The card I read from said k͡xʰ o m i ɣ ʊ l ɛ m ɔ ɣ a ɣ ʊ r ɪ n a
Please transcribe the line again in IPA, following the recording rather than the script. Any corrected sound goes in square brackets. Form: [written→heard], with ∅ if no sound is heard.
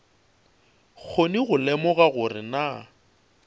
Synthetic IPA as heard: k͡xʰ o [m→n] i ɣ ʊ l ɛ m ɔ ɣ a ɣ ʊ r ɪ n a